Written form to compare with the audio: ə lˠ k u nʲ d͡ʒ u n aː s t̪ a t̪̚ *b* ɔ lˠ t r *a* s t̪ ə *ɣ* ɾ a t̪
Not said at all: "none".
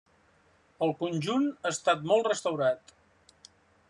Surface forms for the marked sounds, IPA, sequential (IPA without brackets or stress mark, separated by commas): m, ə, w